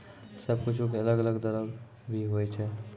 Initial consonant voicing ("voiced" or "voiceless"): voiceless